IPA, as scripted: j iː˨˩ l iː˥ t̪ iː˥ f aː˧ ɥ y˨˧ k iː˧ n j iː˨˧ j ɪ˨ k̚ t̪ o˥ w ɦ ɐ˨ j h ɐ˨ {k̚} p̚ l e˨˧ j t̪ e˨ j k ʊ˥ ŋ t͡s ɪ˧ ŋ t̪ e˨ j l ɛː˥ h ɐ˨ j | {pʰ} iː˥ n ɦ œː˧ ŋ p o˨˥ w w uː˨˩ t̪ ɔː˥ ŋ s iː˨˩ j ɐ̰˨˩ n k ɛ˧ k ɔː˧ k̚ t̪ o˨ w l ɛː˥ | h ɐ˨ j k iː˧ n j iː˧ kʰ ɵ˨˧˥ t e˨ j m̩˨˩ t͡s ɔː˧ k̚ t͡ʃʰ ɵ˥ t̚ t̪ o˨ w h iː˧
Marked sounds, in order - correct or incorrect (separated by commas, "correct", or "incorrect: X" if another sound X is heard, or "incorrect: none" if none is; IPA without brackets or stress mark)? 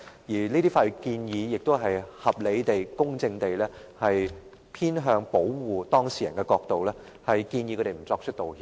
incorrect: none, correct